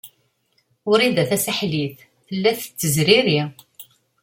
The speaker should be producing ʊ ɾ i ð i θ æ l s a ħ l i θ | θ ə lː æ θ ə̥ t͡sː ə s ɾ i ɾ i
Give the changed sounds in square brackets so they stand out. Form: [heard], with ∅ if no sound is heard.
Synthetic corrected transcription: ʊ ɾ i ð [æ] θ æ [∅] s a ħ l i θ | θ ə lː æ θ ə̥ t͡sː ə [z] ɾ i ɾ i